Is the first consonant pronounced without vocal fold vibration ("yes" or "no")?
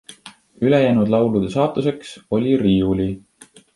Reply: no